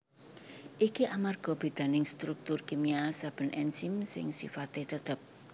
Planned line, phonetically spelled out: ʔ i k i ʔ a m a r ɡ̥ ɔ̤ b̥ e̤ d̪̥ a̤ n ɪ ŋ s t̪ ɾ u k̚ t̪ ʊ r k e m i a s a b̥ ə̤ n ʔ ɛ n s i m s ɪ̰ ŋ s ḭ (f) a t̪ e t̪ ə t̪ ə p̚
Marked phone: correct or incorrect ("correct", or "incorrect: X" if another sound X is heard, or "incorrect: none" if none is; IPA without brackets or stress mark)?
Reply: correct